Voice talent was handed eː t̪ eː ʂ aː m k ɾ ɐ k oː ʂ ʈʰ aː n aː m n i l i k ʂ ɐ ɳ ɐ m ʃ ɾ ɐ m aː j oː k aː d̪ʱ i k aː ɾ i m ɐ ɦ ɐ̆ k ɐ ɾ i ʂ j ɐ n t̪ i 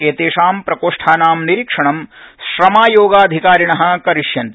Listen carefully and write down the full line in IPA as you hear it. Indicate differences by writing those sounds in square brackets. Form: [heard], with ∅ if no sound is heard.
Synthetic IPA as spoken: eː t̪ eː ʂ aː m [p] ɾ ɐ k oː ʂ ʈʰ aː n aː m n i [ɾ] i k ʂ ɐ ɳ ɐ m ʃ ɾ ɐ m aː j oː [ɡ] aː d̪ʱ i k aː ɾ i [ɳ] ɐ ɦ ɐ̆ k ɐ ɾ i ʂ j ɐ n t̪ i

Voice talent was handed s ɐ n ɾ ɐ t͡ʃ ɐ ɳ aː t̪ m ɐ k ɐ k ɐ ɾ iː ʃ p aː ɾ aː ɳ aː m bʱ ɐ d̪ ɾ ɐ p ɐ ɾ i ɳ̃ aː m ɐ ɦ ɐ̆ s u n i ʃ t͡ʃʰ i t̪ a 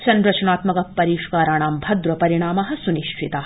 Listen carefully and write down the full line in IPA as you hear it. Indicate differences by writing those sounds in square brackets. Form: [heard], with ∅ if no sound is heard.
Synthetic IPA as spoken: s ɐ n ɾ ɐ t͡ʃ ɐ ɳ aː t̪ m ɐ k ɐ [p] ɐ ɾ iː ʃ [k] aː ɾ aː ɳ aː m bʱ ɐ d̪ ɾ ɐ p ɐ ɾ i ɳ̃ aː m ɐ ɦ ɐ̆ s u n i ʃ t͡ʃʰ i t̪ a

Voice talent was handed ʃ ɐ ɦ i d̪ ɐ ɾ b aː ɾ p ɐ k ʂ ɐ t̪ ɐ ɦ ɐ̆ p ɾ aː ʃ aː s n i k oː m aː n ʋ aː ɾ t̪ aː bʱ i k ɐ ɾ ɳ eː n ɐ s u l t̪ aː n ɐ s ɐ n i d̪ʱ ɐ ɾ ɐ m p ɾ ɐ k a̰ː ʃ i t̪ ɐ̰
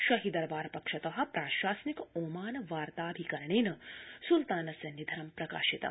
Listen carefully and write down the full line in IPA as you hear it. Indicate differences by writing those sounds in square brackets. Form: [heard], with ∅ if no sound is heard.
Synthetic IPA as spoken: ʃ ɐ ɦ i d̪ ɐ ɾ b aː ɾ p ɐ k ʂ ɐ t̪ ɐ ɦ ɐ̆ p ɾ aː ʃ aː s n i k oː m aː n ʋ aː ɾ t̪ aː bʱ i k ɐ ɾ ɳ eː n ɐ s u l t̪ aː n ɐ s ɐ n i d̪ʱ ɐ ɾ ɐ m p ɾ ɐ k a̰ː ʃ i t̪ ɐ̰

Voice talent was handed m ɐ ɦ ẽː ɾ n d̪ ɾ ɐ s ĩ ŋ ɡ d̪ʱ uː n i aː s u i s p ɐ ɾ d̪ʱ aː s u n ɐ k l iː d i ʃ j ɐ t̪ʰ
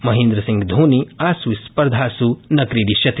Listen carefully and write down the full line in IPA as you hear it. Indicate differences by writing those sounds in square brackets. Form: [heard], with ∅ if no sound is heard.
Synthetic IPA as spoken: m ɐ ɦ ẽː [∅] n d̪ ɾ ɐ s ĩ ŋ ɡ d̪ʱ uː n i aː s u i s p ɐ ɾ d̪ʱ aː s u n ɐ k [ɾ] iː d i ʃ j ɐ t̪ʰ

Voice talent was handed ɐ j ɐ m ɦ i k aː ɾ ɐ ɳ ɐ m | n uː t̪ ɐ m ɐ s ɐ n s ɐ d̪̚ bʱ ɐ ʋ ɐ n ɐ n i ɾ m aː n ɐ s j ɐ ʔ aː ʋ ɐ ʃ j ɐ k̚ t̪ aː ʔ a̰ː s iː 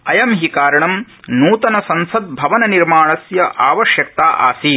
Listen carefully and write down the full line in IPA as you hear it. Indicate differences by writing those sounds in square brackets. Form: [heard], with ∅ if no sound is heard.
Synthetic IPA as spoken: ɐ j ɐ m ɦ i k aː ɾ ɐ ɳ ɐ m | n uː t̪ ɐ [n] ɐ s ɐ n s ɐ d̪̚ bʱ ɐ ʋ ɐ n ɐ n i ɾ m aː [ɳ] ɐ s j ɐ ʔ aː ʋ ɐ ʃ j ɐ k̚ t̪ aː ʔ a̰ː s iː

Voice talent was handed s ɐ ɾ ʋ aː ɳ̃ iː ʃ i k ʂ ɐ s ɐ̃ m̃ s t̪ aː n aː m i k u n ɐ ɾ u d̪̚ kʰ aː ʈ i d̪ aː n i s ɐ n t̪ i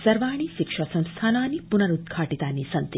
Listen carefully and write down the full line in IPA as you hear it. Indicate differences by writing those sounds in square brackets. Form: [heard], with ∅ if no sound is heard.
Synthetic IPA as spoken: s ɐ ɾ ʋ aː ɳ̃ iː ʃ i k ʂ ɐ s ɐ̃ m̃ s [t̪ʰ] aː n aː [n] i [p] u n ɐ ɾ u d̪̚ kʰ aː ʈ i [t̪] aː n i s ɐ n t̪ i

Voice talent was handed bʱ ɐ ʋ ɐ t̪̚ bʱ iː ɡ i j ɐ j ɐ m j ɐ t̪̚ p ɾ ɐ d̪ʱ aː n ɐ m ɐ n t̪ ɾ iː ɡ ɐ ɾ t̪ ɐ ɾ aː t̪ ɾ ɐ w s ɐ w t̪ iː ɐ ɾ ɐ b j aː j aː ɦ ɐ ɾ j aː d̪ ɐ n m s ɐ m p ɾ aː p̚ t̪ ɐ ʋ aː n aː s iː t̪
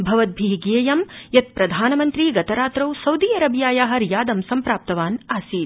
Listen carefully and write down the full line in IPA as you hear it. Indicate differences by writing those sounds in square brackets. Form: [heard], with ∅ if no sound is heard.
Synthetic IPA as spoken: bʱ ɐ ʋ ɐ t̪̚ bʱ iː ɡ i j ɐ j ɐ m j ɐ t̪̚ p ɾ ɐ d̪ʱ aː n ɐ m ɐ n t̪ ɾ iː ɡ ɐ [∅] t̪ ɐ ɾ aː t̪ ɾ ɐ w s ɐ w [d̪] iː ɐ ɾ ɐ b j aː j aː ɦ ɐ ɾ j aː d̪ ɐ [∅] m s ɐ m p ɾ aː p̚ t̪ ɐ ʋ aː n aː s iː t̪

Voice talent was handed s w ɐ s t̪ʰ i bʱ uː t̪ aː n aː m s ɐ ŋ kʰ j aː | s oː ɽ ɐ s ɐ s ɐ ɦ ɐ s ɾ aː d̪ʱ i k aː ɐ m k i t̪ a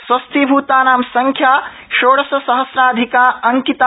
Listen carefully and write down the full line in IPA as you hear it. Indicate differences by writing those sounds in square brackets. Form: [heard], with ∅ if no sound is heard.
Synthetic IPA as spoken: s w ɐ s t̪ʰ i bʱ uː t̪ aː n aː m s ɐ ŋ kʰ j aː | [ʃ] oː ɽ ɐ s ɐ s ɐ ɦ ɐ s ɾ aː d̪ʱ i k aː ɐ [ŋ] k i t̪ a

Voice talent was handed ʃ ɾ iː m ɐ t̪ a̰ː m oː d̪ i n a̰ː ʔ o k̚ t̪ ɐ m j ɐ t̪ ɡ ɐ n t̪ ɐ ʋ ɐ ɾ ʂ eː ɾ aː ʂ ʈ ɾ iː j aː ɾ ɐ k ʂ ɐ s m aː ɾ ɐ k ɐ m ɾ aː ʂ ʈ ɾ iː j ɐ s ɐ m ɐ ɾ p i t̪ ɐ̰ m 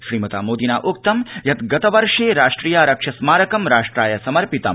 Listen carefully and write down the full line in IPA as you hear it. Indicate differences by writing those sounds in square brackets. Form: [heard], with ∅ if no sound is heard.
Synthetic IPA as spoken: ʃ ɾ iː m ɐ t̪ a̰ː m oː d̪ i n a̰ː ʔ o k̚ t̪ ɐ m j ɐ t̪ ɡ ɐ [∅] t̪ ɐ ʋ ɐ ɾ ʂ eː ɾ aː ʂ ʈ ɾ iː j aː ɾ ɐ k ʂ ɐ s m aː ɾ ɐ k ɐ m ɾ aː ʂ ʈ ɾ [aː] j ɐ s ɐ m ɐ ɾ p i t̪ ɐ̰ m

